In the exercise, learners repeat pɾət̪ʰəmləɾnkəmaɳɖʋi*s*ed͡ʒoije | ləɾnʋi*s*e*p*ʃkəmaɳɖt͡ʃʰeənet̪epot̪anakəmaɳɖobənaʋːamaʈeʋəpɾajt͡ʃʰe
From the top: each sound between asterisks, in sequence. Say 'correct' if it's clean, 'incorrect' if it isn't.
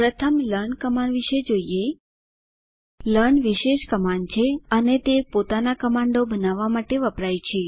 incorrect: ʃ, incorrect: ʃ, incorrect: none

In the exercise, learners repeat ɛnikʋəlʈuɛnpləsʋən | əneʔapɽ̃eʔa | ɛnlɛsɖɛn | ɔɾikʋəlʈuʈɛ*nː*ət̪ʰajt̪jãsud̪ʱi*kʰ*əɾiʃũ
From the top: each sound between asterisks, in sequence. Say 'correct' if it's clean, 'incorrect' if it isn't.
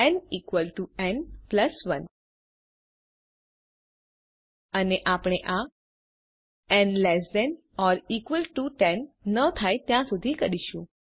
correct, incorrect: k

